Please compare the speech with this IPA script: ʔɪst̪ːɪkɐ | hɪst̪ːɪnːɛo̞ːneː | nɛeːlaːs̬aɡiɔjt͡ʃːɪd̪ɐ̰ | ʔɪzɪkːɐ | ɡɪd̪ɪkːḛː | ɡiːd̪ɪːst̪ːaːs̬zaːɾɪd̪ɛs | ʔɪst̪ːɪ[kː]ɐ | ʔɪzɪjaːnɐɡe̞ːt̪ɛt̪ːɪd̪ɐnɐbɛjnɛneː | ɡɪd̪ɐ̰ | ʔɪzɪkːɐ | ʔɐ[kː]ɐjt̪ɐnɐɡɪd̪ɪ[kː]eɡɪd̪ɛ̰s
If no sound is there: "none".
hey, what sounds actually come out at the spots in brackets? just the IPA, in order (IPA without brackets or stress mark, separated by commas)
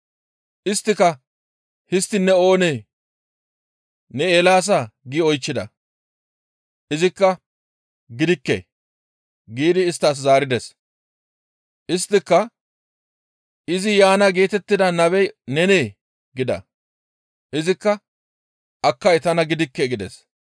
kː, kː, kː